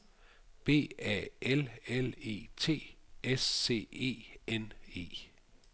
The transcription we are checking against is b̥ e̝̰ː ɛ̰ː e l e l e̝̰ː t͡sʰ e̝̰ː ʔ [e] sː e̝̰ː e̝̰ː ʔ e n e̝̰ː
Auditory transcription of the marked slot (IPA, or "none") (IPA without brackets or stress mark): e